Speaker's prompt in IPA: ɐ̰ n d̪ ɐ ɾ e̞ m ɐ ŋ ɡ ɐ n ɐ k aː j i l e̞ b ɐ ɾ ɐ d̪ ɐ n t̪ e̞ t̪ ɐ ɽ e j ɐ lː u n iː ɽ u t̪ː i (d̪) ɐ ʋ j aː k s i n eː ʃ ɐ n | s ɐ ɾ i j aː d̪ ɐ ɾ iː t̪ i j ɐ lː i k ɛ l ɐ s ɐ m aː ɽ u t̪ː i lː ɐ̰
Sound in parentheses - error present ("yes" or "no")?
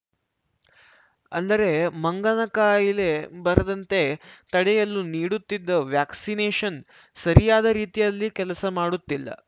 yes